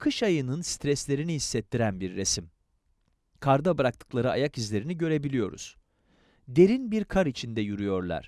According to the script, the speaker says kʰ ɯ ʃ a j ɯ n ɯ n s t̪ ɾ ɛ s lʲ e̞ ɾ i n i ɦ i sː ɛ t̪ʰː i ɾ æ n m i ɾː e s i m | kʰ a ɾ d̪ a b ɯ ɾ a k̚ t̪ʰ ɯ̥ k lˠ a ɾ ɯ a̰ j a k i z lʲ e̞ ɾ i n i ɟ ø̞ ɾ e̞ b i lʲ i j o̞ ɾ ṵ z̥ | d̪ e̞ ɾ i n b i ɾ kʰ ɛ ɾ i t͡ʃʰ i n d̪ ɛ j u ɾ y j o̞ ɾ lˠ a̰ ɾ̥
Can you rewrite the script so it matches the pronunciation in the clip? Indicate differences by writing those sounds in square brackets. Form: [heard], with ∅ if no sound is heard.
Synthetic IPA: kʰ ɯ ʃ a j ɯ n ɯ n s t̪ ɾ ɛ s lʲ e̞ ɾ i n i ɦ i sː ɛ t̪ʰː i ɾ æ n [b] i ɾː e s i m | kʰ a ɾ d̪ a b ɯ ɾ a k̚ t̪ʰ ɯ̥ k lˠ a ɾ ɯ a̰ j a k i z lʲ e̞ ɾ i n i ɟ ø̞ ɾ e̞ b i lʲ i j o̞ ɾ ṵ z̥ | d̪ e̞ ɾ i n b i ɾ kʰ [a] ɾ i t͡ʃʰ i n d̪ ɛ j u ɾ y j o̞ ɾ lˠ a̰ ɾ̥

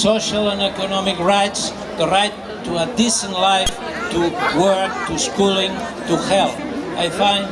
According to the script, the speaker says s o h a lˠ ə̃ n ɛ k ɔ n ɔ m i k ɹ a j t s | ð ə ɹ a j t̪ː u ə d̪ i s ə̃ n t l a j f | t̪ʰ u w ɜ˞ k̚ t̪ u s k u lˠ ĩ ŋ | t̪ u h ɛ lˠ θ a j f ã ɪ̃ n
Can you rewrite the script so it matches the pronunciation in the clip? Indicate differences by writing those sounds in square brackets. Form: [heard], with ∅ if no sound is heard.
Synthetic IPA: s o [ʃ] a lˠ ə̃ n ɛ k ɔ n ɔ m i k ɹ a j t s | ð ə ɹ a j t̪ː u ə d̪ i s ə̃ n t l a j f | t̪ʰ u w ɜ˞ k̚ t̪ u s k u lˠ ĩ ŋ | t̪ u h ɛ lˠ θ a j f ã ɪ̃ n

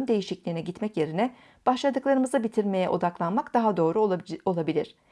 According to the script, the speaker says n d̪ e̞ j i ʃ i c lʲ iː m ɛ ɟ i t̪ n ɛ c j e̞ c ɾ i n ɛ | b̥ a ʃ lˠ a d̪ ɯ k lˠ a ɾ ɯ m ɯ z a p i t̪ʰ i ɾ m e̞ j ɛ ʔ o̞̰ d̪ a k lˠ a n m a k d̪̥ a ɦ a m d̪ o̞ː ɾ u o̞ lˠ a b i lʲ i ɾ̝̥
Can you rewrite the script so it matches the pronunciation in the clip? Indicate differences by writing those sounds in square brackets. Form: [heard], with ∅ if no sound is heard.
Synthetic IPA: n d̪ e̞ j i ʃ i c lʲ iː [n] ɛ ɟ i t̪ [m] ɛ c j e̞ [∅] ɾ i n ɛ | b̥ a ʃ lˠ a d̪ ɯ k lˠ a ɾ ɯ m ɯ z a [b] i t̪ʰ i ɾ m e̞ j ɛ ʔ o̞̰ d̪ a k lˠ a n m a k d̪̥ a ɦ a [∅] d̪ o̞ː ɾ u o̞ lˠ a b i lʲ i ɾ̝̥

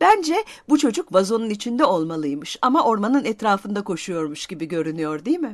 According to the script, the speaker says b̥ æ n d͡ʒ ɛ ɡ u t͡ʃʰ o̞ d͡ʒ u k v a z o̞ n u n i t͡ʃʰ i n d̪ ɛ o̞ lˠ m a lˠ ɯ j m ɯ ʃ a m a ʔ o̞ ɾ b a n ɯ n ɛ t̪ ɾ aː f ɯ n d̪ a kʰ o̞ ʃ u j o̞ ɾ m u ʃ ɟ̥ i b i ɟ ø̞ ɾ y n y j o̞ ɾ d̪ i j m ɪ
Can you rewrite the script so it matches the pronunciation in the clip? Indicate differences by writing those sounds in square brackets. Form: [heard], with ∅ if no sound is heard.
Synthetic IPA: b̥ æ n d͡ʒ ɛ [b] u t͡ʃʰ o̞ d͡ʒ u k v a z o̞ n u n i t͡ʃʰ i n d̪ ɛ o̞ lˠ m a lˠ ɯ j m ɯ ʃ a m a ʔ o̞ ɾ [m] a n ɯ n ɛ t̪ ɾ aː f ɯ n d̪ a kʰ o̞ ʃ u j o̞ ɾ m u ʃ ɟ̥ i b i ɟ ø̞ ɾ y n y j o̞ ɾ d̪ i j m ɪ

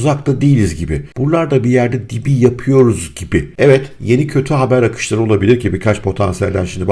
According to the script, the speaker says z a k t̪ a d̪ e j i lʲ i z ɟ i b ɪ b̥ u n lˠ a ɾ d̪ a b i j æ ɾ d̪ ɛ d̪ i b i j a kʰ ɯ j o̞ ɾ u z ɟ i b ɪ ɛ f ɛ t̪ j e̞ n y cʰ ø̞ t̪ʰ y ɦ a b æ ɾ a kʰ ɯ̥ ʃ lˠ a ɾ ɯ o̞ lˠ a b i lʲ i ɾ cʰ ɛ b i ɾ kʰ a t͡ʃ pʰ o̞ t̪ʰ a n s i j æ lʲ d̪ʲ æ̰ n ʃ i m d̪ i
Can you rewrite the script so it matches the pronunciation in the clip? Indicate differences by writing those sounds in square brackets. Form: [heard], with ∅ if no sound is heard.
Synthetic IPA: z a k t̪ a d̪ e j i lʲ i z ɟ i b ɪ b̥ u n lˠ a ɾ d̪ a b i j æ ɾ d̪ ɛ d̪ i b i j a [pʰ] ɯ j o̞ ɾ u z ɟ i b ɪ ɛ [v] ɛ t̪ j e̞ n [i] cʰ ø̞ t̪ʰ y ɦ a b æ ɾ a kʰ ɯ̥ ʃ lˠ a ɾ ɯ o̞ lˠ a b i lʲ i ɾ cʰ [i] b i ɾ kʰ a t͡ʃ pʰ o̞ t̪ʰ a n s i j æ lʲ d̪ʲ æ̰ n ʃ i m d̪ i

